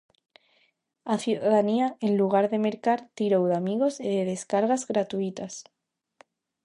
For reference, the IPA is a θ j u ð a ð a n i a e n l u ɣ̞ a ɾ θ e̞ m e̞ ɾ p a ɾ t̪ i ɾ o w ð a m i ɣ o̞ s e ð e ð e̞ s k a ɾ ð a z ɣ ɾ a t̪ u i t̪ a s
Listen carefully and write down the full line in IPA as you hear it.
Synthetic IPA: a θ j u ð a ð a n i a e n l u ɣ̞ a ɾ ð e̞ m e̞ ɾ k a ɾ t̪ i ɾ o w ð a m i ɣ o̞ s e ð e ð e̞ s k a ɾ ɣ a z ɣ ɾ a t̪ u i t̪ a s

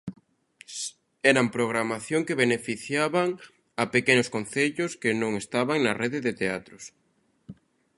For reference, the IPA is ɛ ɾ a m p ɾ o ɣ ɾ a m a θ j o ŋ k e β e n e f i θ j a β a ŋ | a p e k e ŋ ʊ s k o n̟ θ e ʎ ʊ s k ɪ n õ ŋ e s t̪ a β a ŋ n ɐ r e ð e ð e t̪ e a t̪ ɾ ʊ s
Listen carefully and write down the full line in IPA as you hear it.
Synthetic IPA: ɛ ɾ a m p ɾ o ɣ ɾ a m a θ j o ŋ k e β e n e f i θ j a β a ŋ | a p e k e n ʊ s k o n̟ θ e ʎ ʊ s k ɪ n õ ŋ e s t̪ a β a ŋ n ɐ r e ð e ð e t̪ e a t̪ ɾ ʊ s

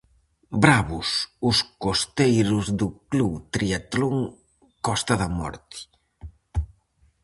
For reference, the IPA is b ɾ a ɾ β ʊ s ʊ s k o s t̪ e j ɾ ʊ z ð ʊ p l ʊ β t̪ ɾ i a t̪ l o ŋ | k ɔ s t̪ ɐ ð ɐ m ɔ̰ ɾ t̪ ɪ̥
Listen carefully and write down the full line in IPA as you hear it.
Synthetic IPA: b ɾ a β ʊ s ʊ s k o s t̪ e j ɾ ʊ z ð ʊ k l u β t̪ ɾ i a t̪ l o ŋ | k ɔ s t̪ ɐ ð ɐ m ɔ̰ ɾ t̪ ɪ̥

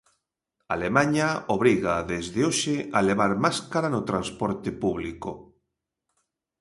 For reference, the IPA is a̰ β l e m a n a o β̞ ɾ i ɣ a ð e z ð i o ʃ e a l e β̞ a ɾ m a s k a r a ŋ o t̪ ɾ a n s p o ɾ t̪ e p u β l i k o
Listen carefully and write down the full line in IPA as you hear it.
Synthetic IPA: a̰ l e m a ɲ a o β̞ ɾ i ɣ a ð e z ð e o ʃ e a l e β̞ a ɾ m a s k a ɾ a n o t̪ ɾ a n s p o ɾ t̪ e p u β l i k o

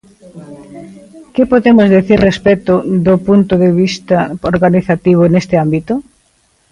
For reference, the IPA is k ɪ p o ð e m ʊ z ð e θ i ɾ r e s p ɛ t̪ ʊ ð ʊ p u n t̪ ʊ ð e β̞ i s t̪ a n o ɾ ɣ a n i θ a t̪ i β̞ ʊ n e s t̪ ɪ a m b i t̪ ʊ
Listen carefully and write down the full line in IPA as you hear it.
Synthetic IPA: k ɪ p o ð e m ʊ z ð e θ i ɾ r e s p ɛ t̪ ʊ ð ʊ p u n t̪ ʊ ð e β̞ i s t̪ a o ɾ ɣ a n i θ a t̪ i β̞ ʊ n e s t̪ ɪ a m b i t̪ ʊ

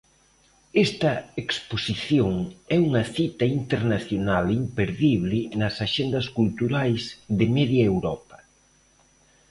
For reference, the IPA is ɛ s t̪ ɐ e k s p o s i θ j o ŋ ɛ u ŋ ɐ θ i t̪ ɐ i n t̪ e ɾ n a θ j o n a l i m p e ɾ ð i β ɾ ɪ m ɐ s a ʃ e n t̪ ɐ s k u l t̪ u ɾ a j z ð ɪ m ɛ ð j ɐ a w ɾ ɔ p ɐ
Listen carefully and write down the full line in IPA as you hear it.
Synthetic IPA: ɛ s t̪ ɐ e k s p o s i θ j o ŋ ɛ u ŋ ɐ θ i t̪ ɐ i n t̪ e ɾ n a θ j o n a l i m p e ɾ ð i β l ɪ n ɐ s a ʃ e n d̪ ɐ s k u l t̪ u ɾ a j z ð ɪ m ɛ ð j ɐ e w ɾ ɔ p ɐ

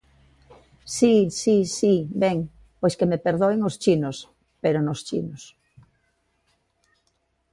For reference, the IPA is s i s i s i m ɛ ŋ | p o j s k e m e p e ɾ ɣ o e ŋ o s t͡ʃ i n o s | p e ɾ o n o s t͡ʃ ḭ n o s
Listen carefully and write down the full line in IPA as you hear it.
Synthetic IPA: s i s i s i b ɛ ŋ | p o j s k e m e p e ɾ ð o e ŋ o s t͡ʃ i n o s | p e ɾ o n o s t͡ʃ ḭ n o s

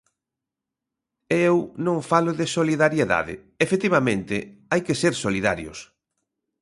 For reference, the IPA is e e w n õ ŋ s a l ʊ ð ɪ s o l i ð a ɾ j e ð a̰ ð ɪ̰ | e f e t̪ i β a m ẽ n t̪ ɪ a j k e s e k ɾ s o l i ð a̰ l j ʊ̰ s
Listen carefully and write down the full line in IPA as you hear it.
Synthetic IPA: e e w n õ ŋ f a l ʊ ð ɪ s o l i ð a ɾ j e ð a̰ ð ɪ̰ | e f e t̪ i β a m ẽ n t̪ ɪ a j k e s e ɾ s o l i ð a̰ ɾ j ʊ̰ s

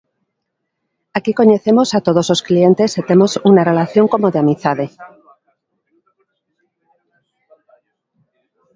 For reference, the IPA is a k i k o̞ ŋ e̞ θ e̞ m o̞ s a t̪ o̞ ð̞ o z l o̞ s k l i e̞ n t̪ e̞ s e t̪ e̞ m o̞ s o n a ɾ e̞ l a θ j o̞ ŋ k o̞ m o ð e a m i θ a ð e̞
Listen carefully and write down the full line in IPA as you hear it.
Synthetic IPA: a k i k o̞ ɲ e̞ θ e̞ m o̞ s a t̪ o̞ ð̞ o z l o̞ s k l i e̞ n t̪ e̞ s e t̪ e̞ m o̞ s u n a r e̞ l a θ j o̞ ŋ k o̞ m o ð e a m i θ a ð e̞

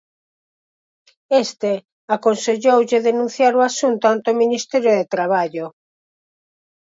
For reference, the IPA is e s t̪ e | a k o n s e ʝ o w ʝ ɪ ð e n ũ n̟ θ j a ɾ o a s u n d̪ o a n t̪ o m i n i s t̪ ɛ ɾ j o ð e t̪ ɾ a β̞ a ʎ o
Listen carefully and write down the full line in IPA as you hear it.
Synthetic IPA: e s t̪ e | a k o n s e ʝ o w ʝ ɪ ð e n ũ n̟ θ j a ɾ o a s u n t̪ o a n t̪ o m i n i s t̪ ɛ ɾ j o ð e t̪ ɾ a β̞ a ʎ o

